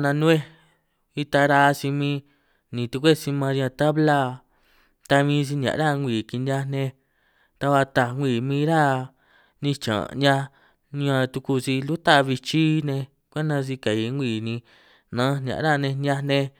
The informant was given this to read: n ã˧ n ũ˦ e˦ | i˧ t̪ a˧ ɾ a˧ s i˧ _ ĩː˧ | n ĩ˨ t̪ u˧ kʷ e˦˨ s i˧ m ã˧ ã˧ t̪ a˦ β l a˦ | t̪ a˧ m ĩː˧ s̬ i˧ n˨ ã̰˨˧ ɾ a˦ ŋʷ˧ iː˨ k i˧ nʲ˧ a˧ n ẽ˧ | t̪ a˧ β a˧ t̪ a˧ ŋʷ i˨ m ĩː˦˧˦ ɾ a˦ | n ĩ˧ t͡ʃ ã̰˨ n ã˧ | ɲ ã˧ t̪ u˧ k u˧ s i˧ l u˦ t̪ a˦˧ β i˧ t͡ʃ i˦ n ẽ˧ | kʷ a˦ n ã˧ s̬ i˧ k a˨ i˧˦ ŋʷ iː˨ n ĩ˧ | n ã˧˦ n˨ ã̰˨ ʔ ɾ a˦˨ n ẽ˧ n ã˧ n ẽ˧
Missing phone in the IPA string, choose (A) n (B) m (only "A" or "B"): B